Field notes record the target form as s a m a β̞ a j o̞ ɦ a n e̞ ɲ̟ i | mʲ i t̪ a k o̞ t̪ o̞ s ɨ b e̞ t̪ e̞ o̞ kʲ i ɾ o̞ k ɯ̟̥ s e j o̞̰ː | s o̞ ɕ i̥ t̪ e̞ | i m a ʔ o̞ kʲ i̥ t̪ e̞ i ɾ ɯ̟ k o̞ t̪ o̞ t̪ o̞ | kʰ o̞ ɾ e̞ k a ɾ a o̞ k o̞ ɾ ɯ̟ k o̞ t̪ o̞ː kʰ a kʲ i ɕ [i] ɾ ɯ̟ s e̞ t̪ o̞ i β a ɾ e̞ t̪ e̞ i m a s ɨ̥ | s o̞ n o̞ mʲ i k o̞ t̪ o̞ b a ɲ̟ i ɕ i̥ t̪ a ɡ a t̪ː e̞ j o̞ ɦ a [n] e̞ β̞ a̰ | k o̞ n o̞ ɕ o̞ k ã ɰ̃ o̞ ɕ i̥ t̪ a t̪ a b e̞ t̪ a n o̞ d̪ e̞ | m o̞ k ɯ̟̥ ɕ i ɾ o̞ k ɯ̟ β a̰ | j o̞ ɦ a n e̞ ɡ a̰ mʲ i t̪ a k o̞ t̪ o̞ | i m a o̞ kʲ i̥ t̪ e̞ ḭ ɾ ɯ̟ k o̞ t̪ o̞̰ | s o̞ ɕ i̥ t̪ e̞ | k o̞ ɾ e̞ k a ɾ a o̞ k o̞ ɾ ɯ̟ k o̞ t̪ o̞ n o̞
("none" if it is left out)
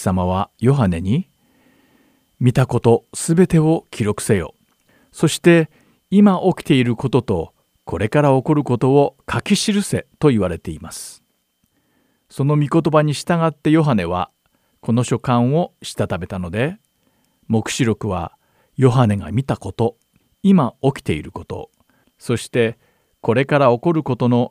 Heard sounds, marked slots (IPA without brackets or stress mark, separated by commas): i, n